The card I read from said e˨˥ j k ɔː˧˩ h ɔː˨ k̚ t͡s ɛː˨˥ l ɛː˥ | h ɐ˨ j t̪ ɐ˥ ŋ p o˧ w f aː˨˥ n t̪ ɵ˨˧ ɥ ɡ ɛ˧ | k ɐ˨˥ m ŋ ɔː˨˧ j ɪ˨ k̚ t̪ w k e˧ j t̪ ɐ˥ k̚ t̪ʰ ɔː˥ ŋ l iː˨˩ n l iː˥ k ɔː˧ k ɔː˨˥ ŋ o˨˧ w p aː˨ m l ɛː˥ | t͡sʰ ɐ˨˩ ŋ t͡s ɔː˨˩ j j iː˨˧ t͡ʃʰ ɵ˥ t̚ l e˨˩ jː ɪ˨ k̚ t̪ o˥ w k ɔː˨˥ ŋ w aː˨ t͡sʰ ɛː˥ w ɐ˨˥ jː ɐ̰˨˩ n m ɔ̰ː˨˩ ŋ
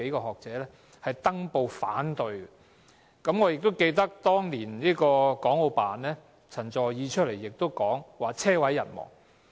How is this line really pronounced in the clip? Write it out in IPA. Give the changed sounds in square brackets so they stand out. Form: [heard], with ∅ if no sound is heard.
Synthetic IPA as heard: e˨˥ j k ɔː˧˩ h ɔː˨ k̚ t͡s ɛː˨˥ l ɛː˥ | h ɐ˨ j t̪ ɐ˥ ŋ p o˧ w f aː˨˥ n t̪ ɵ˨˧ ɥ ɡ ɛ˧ | k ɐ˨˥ m ŋ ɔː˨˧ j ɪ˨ k̚ t̪ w k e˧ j t̪ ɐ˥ k̚ [t̪] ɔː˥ ŋ l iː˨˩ n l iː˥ k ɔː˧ k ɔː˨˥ ŋ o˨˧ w p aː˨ [n] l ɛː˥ | t͡sʰ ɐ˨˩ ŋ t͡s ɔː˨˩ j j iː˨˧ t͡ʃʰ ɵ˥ t̚ l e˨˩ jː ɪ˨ k̚ t̪ o˥ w k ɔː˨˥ ŋ w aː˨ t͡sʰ ɛː˥ w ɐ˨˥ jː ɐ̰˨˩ n m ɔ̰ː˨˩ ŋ